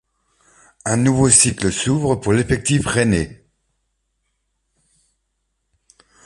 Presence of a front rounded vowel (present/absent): absent